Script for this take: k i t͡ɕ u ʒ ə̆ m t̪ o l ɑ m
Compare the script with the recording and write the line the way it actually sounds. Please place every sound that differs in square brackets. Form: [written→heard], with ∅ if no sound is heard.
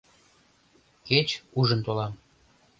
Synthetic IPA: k [i→e] t͡ɕ u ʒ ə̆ [m→n] t̪ o l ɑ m